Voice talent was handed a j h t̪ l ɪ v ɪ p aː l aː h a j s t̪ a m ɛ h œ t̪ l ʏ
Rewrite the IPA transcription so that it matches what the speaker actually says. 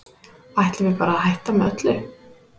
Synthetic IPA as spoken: a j h t̪ l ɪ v ɪ p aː ɾ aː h a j h t̪ a m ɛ œ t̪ l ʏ